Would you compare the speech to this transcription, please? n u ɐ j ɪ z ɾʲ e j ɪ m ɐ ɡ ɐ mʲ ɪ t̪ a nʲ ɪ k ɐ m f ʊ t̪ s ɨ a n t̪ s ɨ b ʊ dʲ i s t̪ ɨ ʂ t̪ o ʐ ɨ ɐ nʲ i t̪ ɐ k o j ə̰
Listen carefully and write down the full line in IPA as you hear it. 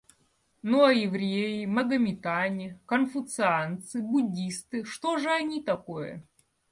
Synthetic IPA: n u ɐ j ɪ v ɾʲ e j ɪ m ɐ ɡ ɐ mʲ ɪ t̪ a nʲ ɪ k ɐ n f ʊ t̪ s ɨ a n t̪ s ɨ b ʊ dʲ i s t̪ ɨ ʂ t̪ o ʐ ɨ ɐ nʲ i t̪ ɐ k o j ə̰